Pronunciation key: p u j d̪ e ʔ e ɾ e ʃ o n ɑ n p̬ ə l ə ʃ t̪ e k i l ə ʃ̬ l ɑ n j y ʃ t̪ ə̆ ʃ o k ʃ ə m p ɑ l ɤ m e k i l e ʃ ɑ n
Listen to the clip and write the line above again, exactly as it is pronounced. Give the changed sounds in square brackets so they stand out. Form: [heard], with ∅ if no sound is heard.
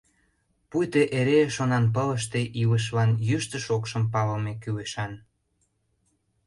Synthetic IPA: p u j [t̪] e ʔ e ɾ e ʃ o n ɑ n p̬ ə l ə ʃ t̪ e [ʔ] i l ə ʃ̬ l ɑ n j y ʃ t̪ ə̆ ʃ o k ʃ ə m p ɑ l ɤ m e k [y] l e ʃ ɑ n

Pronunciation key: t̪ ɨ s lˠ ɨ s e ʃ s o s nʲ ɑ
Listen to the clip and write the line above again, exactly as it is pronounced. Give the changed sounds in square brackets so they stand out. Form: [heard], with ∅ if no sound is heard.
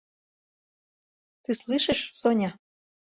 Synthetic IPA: t̪ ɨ s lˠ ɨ [ʃ] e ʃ s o [∅] nʲ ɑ

